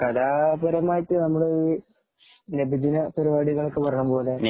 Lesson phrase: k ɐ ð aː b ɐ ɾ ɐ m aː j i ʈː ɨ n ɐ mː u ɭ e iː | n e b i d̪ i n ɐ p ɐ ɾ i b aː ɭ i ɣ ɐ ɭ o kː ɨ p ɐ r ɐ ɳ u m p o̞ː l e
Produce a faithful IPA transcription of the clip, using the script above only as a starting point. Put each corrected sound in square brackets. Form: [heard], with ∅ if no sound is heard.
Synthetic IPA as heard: k ɐ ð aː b ɐ ɾ ɐ m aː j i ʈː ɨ n ɐ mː u [ɽ] e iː | n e b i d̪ i n ɐ p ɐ ɾ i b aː [ɽ] i ɣ ɐ ɭ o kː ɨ p ɐ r ɐ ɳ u m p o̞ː l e